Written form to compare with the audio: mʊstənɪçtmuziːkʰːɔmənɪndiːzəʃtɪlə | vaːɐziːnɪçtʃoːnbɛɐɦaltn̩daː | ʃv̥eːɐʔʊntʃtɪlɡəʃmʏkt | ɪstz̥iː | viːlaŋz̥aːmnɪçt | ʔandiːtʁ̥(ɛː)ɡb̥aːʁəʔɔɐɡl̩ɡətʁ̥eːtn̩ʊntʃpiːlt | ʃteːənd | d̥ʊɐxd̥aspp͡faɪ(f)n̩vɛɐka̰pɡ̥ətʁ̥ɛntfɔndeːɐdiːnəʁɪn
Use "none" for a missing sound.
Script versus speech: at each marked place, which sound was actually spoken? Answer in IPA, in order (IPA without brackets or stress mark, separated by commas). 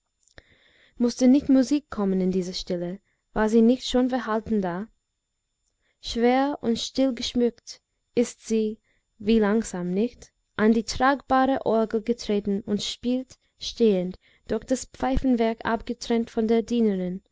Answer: aː, f